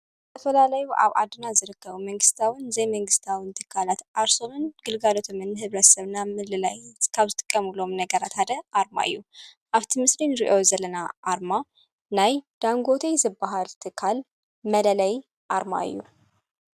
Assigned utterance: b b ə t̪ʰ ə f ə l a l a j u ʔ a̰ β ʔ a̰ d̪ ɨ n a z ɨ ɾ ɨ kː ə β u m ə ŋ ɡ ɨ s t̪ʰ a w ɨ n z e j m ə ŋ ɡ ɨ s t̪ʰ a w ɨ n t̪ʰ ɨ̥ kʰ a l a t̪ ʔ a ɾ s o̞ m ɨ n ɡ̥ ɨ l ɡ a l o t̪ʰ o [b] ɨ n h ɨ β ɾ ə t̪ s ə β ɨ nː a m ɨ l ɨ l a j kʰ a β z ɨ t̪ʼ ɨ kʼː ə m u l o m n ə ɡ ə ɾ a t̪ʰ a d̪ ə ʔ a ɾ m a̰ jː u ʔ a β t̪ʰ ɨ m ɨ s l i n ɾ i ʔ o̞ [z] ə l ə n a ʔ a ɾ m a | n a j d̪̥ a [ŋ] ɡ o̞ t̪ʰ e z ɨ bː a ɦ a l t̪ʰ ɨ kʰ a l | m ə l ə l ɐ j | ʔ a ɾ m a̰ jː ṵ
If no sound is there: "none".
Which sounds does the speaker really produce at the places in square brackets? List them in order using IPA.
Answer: m, z, ŋ

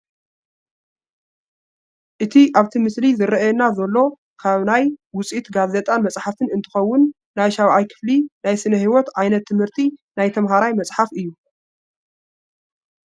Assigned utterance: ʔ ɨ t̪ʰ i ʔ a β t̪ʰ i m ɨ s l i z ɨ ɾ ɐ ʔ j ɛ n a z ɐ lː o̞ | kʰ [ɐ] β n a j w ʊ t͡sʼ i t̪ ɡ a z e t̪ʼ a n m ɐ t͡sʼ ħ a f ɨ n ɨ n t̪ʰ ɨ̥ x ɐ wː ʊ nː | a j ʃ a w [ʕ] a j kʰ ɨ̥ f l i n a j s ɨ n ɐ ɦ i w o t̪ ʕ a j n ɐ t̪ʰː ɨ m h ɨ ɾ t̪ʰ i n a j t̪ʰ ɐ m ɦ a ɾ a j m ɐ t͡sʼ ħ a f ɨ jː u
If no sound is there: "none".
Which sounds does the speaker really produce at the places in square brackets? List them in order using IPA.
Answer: a, ʕ

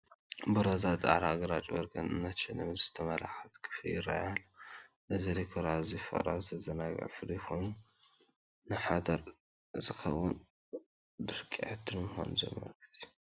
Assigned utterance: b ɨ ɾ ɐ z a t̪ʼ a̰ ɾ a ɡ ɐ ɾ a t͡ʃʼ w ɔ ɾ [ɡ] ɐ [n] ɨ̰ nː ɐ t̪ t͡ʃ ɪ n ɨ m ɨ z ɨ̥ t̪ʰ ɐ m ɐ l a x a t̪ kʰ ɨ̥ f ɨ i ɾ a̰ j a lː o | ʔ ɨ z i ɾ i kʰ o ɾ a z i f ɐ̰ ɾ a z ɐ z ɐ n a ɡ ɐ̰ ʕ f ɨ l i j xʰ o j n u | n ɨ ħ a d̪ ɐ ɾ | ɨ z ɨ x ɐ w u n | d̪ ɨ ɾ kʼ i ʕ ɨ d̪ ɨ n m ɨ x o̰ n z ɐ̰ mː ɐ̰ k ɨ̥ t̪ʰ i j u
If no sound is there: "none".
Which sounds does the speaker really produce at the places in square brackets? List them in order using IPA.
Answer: ɡ, n

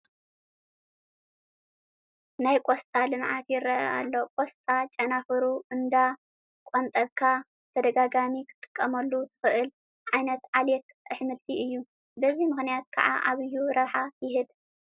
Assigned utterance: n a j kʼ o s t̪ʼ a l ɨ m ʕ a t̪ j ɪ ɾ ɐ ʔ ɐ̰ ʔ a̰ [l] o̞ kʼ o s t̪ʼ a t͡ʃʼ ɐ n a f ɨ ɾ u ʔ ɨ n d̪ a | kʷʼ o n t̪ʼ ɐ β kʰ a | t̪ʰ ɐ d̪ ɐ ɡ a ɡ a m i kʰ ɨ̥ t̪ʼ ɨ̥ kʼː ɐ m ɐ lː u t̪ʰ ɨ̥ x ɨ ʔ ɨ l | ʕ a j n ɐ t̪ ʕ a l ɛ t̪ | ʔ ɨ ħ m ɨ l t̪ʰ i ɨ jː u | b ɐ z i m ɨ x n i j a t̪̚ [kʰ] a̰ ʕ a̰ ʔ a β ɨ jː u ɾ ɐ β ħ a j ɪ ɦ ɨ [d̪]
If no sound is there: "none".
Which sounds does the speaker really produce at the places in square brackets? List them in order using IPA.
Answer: lː, kʰ, d̪

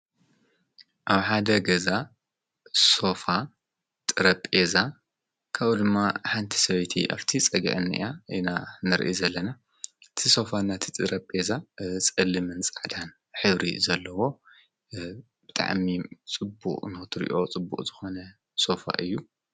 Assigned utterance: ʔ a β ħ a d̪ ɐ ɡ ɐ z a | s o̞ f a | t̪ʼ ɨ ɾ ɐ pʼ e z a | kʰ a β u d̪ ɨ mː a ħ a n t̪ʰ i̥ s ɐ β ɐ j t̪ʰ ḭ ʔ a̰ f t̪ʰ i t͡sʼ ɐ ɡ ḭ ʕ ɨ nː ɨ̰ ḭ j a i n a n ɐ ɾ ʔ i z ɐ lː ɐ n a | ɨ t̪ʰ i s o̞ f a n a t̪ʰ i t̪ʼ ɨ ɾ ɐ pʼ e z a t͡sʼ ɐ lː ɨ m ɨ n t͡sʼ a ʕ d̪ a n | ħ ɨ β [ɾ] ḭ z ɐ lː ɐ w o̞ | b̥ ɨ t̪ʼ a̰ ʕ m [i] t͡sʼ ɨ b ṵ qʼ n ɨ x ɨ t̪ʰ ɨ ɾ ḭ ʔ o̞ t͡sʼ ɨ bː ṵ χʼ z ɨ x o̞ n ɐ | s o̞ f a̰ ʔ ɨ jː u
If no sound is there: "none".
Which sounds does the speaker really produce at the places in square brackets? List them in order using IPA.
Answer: ɾ, i

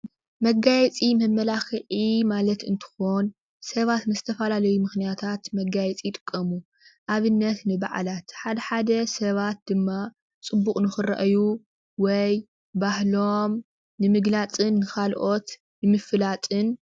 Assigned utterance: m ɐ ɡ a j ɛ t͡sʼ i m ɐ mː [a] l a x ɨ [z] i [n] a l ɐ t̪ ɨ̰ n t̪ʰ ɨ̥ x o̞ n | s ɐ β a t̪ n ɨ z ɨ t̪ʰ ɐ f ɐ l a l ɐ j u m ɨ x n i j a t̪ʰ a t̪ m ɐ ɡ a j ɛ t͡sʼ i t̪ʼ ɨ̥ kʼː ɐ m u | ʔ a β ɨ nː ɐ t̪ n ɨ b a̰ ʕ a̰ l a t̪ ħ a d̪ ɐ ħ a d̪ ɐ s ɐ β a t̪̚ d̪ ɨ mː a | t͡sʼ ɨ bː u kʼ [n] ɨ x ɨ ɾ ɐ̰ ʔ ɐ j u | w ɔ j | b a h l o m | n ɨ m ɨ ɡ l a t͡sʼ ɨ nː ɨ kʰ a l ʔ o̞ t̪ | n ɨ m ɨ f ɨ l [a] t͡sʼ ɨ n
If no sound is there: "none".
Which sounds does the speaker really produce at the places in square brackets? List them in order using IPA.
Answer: ɐ, ʕ, m, n, a

